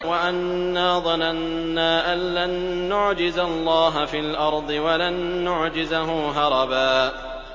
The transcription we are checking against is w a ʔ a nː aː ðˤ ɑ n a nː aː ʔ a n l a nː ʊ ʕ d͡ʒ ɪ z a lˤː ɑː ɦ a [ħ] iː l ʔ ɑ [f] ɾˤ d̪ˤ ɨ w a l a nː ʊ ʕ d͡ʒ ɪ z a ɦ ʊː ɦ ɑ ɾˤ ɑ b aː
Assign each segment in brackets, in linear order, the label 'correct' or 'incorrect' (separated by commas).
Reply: incorrect, incorrect